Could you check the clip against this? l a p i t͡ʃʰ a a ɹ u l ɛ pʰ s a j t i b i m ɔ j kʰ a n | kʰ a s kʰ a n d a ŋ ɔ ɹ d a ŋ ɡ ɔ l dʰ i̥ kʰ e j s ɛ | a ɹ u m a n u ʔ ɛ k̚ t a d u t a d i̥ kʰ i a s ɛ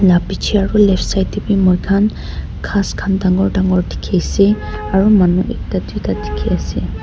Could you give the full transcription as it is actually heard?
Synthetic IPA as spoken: l a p i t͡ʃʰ i a ɹ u l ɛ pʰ s a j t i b i m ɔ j kʰ a n | kʰ a s kʰ a n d a ŋ ɔ ɹ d a ŋ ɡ ɔ ɹ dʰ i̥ kʰ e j s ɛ | a ɹ u m a n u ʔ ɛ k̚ t a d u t a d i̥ kʰ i a s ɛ

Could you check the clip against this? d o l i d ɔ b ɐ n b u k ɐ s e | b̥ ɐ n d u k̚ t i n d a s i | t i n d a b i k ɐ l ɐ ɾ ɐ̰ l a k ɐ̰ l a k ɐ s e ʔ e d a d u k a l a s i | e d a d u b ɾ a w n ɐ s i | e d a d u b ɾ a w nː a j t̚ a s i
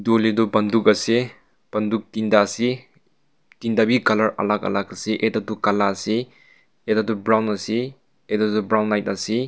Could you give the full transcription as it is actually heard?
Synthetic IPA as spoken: d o l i d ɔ b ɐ n d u k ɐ s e | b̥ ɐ n d u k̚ t i n d a s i | t i n d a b i k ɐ l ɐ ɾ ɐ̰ l a k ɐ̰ l a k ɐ s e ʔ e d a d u k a l a s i | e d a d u b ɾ a w n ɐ s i | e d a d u b ɾ a w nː a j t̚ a s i

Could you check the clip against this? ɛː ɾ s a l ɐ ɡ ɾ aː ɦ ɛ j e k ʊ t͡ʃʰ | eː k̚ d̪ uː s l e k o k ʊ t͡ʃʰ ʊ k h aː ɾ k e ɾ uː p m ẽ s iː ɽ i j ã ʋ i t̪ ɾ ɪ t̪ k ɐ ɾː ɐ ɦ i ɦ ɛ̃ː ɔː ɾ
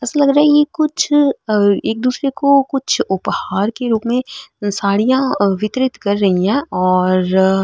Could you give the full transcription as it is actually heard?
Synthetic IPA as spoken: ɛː s a l ɐ ɡ ɾ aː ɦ ɛ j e k ʊ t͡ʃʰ | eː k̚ d̪ uː s ɾ e k o k ʊ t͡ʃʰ ʊ p h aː ɾ k e ɾ uː p m ẽ s aː ɽ i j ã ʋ ɪ t̪ ɾ ɪ t̪ k ɐ ɾː ɐ ɦ i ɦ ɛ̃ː ɔː ɾ

